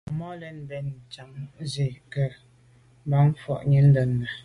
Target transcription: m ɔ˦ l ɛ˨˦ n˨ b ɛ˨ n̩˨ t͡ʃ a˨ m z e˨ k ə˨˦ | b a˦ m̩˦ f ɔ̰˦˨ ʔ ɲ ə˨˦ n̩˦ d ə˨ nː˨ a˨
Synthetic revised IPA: m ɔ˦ l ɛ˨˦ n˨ b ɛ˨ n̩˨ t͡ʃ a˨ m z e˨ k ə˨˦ | b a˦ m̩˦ f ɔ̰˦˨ ʔ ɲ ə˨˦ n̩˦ d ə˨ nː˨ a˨